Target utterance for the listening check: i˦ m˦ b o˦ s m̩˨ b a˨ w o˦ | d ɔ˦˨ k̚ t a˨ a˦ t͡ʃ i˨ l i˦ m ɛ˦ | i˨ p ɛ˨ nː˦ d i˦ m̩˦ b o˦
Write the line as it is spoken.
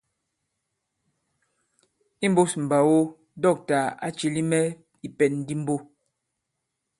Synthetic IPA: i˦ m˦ b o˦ s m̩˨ b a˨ w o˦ | d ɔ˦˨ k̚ t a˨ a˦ t͡ʃ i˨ l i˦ m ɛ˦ | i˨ p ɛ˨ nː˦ d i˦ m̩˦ b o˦

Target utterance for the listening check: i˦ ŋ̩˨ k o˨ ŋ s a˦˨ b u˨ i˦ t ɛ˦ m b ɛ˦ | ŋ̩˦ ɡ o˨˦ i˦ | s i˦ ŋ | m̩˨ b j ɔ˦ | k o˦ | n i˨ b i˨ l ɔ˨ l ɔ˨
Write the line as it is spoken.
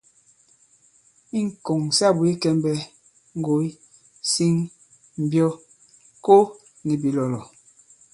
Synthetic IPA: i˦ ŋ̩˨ k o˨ ŋ s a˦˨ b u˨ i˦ k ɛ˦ m b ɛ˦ | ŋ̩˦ ɡ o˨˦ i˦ | s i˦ ŋ | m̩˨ b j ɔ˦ | k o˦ | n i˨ b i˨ l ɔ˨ l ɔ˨

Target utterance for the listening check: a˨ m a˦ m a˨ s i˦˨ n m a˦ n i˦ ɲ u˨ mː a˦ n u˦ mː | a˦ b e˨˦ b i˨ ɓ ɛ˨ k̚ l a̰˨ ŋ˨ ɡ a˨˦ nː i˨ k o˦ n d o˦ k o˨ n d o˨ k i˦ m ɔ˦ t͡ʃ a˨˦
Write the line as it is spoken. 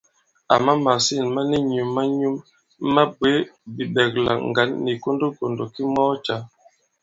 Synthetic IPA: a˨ m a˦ m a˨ s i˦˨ n m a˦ n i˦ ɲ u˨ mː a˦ ɲ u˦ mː | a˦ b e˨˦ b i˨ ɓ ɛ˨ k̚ l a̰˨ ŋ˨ ɡ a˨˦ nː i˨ k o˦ n d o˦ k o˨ n d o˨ k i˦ m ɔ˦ t͡ʃ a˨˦

